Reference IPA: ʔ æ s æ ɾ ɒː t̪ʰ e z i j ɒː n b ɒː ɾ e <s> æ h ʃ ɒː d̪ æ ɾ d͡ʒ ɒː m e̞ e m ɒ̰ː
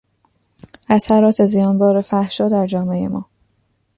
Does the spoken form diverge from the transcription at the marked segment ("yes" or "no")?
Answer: yes